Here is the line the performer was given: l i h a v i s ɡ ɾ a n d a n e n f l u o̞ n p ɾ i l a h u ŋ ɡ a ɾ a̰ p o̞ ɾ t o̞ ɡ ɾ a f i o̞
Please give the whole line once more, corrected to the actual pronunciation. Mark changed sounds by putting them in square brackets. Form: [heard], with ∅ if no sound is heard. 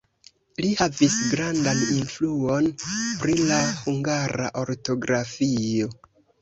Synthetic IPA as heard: l i h a v i s ɡ ɾ a n d a n [i] n f l u o̞ n p ɾ i l a h u ŋ ɡ a ɾ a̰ [ʔ] o̞ ɾ t o̞ ɡ ɾ a f i o̞